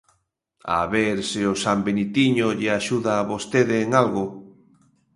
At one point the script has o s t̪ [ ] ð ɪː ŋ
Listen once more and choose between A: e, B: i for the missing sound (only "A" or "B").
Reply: A